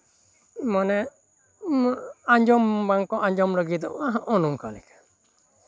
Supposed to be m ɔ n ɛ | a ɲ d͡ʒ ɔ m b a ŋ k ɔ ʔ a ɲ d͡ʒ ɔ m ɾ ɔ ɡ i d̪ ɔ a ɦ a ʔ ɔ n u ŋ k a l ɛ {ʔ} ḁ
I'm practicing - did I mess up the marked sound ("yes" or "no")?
yes